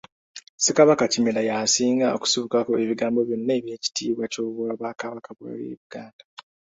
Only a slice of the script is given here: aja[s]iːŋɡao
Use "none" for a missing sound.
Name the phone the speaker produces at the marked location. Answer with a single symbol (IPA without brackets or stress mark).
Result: s